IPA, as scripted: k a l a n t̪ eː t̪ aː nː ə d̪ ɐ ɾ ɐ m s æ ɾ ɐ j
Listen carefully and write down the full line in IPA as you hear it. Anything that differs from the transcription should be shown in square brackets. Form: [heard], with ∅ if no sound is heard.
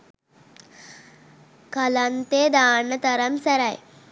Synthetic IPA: k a l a n t̪ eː [d̪] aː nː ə [t̪] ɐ ɾ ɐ m s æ ɾ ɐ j